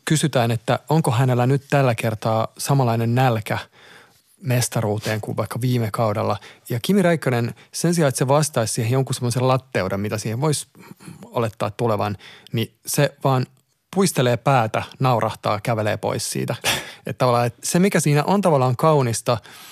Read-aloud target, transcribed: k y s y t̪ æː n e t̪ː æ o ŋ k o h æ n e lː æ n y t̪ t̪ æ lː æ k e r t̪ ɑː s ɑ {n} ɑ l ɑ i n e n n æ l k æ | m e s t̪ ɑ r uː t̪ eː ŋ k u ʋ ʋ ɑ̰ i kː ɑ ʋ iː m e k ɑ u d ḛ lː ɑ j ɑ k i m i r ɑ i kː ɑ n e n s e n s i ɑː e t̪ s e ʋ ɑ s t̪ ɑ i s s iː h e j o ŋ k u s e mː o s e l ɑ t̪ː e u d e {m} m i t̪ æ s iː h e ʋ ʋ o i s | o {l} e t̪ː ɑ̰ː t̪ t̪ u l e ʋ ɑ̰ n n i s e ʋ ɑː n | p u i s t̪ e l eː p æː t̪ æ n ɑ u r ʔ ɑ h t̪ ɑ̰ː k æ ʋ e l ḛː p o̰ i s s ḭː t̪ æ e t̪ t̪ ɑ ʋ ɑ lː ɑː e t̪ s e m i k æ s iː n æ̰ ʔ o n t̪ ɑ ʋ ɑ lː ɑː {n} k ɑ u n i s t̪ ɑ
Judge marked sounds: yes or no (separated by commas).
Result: no, yes, yes, no